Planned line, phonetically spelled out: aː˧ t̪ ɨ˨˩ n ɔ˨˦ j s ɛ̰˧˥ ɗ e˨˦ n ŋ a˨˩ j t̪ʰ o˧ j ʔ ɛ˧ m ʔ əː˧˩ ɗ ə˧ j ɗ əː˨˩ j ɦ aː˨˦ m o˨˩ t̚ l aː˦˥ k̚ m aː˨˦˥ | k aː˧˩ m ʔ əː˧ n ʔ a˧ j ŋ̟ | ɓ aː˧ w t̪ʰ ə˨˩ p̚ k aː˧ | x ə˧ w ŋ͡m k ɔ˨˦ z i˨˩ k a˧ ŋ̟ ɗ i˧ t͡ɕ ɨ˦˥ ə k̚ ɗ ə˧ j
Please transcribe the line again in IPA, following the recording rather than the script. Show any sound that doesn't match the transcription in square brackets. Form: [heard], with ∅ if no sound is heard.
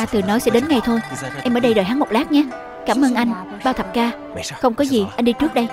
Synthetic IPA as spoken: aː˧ t̪ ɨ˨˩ n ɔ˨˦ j s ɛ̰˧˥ ɗ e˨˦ n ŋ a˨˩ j t̪ʰ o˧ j ʔ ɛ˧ m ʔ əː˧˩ ɗ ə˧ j ɗ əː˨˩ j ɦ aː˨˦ m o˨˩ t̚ l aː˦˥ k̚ [ɲ] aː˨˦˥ | k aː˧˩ m ʔ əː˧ n ʔ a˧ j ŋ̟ | ɓ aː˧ w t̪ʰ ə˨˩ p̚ k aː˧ | x ə˧ w ŋ͡m k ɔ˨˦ z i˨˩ [ʔ] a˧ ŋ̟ ɗ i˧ t͡ɕ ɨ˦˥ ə k̚ ɗ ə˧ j